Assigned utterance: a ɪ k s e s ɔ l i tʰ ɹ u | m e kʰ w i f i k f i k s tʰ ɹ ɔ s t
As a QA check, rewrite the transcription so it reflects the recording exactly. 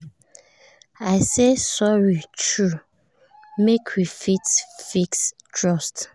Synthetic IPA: a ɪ s e s ɔ ɹ i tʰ ɹ u | m e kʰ w i f i t f i k s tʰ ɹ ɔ s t